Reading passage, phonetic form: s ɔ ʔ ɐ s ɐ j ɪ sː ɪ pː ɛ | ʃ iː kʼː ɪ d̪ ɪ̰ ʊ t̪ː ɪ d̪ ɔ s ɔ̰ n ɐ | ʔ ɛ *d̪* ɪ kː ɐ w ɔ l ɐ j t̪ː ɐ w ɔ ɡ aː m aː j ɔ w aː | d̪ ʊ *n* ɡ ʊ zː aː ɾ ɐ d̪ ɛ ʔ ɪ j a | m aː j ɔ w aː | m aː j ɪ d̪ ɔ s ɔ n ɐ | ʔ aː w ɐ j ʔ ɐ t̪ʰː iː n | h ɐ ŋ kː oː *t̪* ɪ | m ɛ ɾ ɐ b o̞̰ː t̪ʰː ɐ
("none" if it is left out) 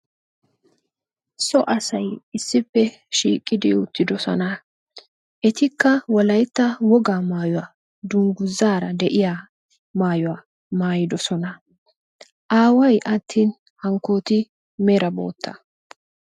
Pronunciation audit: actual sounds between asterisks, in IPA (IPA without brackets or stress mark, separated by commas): t̪, ŋ, t̪